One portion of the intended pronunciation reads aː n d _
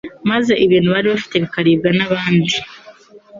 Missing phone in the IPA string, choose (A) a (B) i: B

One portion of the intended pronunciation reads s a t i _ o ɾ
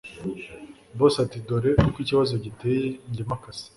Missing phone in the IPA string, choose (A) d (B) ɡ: A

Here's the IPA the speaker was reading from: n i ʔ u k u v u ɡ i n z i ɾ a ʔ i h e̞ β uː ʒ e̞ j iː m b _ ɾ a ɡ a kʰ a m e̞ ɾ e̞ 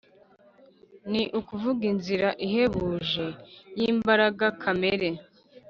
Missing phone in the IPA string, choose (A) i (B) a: B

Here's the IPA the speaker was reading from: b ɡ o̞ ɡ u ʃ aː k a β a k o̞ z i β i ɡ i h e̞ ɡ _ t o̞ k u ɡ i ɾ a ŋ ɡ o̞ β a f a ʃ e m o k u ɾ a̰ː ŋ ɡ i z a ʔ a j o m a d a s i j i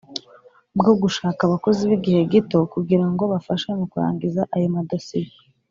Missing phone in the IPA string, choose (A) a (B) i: B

